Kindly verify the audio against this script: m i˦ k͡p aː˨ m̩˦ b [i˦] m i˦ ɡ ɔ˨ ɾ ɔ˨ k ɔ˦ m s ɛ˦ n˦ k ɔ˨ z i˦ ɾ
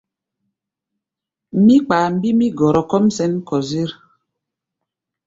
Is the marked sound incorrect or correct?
correct